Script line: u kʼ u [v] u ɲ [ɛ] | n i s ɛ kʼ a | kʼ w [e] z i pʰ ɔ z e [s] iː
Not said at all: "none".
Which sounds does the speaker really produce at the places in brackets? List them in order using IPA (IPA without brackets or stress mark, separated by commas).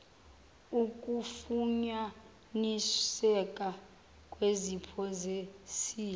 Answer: f, a, e, s